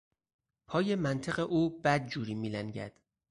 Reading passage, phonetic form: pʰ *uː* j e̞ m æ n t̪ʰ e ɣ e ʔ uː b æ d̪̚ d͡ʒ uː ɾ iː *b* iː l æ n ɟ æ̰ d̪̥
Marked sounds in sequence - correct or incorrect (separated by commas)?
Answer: incorrect, incorrect